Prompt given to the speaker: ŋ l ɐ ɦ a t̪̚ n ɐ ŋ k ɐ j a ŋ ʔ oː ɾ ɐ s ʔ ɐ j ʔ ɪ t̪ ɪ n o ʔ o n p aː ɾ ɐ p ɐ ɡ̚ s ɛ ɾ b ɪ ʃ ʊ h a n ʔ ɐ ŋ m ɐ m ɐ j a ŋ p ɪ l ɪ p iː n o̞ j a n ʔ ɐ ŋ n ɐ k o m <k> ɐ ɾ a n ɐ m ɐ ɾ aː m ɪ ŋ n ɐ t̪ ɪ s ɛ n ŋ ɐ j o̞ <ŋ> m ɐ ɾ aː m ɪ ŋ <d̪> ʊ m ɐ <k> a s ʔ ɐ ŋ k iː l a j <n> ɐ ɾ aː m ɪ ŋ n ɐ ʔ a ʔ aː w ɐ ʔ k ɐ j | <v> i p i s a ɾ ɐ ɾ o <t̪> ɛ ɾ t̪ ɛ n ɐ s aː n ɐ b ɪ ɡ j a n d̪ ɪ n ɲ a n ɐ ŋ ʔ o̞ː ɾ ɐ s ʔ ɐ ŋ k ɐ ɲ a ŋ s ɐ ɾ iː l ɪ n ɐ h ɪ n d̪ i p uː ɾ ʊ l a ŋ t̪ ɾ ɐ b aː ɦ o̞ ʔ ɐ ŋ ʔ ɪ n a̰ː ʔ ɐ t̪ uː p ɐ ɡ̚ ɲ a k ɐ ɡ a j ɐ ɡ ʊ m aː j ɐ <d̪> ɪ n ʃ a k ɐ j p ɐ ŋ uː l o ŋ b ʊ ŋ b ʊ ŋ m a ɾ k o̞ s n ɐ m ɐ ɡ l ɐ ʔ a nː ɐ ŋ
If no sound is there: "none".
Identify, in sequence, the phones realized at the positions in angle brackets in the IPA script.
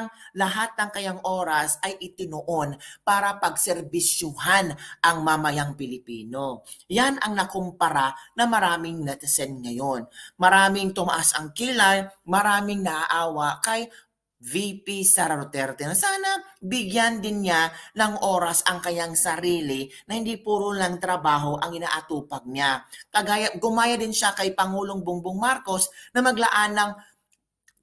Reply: p, n, t̪, ʔ, m, v, t̪, d̪

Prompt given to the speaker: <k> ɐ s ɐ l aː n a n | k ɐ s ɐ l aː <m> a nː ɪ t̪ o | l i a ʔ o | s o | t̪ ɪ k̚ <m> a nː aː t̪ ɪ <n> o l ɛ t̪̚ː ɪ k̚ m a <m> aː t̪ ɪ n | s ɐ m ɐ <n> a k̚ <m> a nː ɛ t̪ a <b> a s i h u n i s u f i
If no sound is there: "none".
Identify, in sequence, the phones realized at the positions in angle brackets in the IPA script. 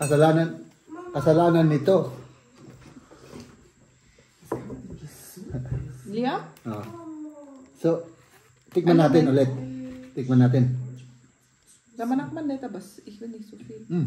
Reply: k, n, m, n, n, n, m, b

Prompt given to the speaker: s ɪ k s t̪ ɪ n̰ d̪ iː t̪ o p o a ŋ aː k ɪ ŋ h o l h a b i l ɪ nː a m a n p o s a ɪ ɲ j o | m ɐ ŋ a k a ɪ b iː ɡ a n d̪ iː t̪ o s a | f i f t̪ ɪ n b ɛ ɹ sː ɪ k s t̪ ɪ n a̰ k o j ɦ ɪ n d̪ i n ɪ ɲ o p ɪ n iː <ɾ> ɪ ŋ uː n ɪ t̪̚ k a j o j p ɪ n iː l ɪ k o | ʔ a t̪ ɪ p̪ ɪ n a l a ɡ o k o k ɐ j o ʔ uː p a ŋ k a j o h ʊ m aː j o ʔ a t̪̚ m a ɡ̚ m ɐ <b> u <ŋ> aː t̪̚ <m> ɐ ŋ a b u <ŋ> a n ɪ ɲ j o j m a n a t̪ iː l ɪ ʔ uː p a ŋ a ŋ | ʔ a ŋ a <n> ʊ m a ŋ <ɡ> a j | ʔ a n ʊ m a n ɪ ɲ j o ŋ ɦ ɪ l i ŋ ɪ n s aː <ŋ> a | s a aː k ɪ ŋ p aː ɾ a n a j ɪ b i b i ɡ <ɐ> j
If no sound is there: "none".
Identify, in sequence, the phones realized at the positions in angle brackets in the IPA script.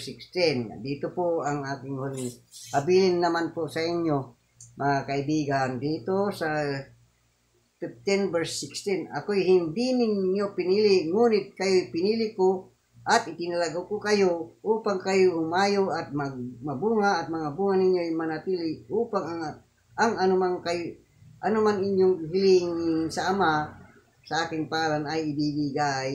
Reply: l, b, ŋ, m, ŋ, n, k, m, a

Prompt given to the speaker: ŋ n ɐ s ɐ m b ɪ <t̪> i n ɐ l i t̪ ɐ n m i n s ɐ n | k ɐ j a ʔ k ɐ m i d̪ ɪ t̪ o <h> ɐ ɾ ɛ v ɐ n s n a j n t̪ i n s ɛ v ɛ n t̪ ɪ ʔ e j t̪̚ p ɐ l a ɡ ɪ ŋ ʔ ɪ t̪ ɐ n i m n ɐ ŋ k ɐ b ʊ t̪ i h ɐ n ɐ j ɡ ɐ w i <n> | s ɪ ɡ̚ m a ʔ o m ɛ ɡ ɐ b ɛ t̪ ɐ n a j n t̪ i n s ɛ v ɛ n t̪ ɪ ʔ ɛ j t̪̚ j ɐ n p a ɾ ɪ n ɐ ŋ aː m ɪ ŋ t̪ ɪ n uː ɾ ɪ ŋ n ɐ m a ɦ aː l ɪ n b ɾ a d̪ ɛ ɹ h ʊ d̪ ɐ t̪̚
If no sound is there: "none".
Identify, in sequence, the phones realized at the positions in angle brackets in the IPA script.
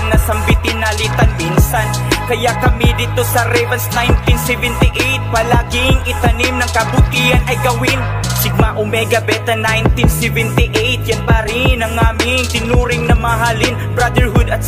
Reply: t̪, s, n

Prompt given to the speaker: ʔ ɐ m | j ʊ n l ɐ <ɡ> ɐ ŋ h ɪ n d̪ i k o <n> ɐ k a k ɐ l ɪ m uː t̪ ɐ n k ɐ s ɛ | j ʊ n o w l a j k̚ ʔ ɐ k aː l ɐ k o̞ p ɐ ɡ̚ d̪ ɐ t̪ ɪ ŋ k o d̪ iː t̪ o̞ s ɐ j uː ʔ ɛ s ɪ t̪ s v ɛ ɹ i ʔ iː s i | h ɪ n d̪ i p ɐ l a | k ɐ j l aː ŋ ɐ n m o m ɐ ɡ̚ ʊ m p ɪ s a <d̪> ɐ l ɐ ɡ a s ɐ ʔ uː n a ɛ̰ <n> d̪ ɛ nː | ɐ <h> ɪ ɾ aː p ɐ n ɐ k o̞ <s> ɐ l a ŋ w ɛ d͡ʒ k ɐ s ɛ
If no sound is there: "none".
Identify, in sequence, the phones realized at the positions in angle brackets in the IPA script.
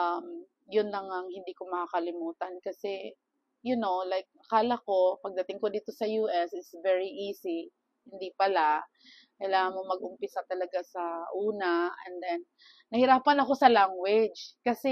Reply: ŋ, m, t̪, n, h, s

